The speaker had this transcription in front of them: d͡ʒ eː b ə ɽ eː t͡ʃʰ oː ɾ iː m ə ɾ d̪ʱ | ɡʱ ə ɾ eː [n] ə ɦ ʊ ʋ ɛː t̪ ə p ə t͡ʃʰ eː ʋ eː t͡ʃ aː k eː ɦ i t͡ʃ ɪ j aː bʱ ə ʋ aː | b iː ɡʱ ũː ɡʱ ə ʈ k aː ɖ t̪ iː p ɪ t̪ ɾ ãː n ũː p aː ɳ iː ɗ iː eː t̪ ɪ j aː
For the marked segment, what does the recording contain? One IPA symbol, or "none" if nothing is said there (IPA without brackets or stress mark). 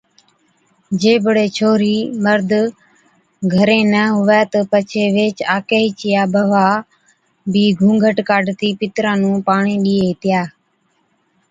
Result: n